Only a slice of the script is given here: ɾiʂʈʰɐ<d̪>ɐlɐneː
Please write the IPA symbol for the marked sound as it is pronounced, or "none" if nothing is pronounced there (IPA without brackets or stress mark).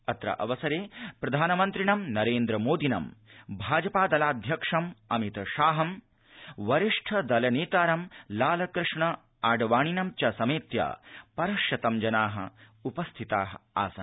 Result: d̪